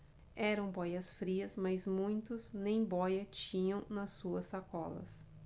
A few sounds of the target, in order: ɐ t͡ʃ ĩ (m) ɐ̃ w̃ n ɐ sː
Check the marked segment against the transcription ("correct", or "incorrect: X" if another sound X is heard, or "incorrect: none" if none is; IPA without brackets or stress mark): incorrect: ɲ